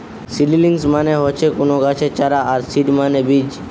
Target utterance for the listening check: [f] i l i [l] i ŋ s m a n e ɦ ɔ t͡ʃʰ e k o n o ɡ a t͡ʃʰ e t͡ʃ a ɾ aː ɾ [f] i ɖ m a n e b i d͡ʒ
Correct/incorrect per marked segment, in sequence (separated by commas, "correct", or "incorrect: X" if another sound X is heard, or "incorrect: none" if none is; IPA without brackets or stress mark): incorrect: s, correct, incorrect: s